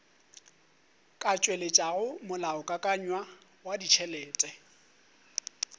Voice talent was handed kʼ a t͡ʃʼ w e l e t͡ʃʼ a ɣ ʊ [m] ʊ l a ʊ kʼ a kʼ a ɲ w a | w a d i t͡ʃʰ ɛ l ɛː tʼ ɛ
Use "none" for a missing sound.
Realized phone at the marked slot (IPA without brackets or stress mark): m